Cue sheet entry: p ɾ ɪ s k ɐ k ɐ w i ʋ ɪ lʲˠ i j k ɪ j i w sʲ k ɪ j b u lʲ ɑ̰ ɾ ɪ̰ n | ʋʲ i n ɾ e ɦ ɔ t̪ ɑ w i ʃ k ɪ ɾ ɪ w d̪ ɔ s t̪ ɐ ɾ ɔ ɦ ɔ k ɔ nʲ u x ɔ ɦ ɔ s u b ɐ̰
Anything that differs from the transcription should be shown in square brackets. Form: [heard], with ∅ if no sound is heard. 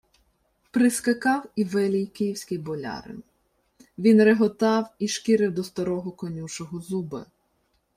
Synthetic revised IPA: p ɾ ɪ s k ɐ k [ɑ] w i ʋ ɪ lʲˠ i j k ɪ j i w sʲ k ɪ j b [ɔ] lʲ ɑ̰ ɾ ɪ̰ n | ʋʲ i n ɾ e ɦ ɔ t̪ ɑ w i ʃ k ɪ ɾ ɪ w d̪ ɔ s t̪ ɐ ɾ ɔ ɦ ɔ k ɔ nʲ u [ʃ] ɔ ɦ ɔ [z] u b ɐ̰